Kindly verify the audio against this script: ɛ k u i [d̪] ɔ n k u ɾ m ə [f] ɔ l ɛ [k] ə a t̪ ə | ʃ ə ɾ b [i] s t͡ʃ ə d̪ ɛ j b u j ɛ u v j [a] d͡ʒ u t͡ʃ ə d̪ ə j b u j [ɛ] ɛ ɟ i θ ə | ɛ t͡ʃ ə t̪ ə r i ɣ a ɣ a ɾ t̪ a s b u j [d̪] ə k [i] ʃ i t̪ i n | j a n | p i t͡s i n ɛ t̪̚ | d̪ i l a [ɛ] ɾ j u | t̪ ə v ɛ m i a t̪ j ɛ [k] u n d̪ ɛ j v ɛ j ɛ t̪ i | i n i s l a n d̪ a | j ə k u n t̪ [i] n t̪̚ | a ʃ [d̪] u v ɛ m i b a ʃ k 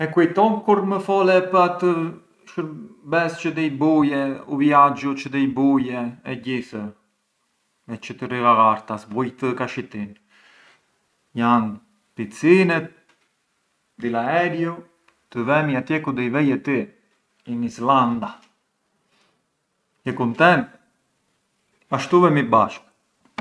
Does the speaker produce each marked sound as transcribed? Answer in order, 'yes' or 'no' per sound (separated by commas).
no, yes, no, no, yes, yes, no, no, yes, yes, no, no